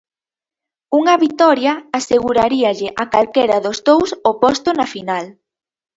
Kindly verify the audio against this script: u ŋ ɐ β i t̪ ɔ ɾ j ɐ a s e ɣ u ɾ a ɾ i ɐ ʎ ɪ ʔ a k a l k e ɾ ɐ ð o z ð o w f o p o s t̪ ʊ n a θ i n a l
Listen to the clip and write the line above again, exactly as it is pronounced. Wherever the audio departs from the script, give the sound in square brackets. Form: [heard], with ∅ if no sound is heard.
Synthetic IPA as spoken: u ŋ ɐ β i t̪ ɔ ɾ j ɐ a s e ɣ u ɾ a ɾ i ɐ ʎ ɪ ʔ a k a l k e ɾ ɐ ð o z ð o w [s] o p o s t̪ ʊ n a [f] i n a l